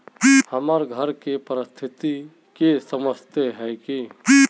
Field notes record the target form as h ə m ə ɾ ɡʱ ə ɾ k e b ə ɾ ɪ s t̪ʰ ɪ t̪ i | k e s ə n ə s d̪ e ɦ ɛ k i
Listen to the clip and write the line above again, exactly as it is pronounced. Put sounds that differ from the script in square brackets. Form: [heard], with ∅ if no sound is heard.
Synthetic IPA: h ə m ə ɾ ɡʱ ə ɾ k e [p] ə ɾ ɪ s t̪ʰ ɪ t̪ i | k e s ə [m] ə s [t̪] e ɦ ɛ k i